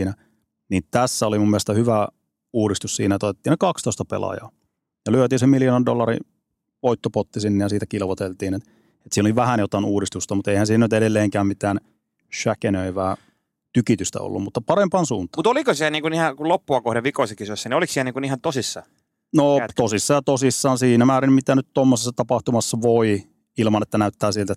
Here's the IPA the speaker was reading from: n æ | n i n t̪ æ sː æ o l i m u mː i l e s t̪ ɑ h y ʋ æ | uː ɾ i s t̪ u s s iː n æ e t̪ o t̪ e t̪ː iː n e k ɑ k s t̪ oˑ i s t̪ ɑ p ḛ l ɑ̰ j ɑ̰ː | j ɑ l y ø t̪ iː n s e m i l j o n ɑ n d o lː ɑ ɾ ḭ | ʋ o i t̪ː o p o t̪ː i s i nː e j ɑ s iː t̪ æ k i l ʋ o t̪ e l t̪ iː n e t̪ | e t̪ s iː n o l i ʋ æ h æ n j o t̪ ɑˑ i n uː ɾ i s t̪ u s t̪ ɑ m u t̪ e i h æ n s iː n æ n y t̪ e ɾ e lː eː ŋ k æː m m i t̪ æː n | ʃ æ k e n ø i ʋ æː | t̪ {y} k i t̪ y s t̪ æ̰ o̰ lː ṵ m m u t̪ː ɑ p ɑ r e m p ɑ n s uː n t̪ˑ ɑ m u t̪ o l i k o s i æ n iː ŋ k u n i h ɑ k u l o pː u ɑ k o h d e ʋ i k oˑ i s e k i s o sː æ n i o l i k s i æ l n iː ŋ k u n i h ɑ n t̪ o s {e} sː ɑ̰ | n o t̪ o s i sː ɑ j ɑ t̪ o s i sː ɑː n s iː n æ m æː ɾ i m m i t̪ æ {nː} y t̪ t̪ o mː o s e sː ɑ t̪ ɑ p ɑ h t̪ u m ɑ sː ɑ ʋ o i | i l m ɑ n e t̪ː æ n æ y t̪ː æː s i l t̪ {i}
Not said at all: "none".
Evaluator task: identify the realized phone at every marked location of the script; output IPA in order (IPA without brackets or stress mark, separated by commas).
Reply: y, i, n, æ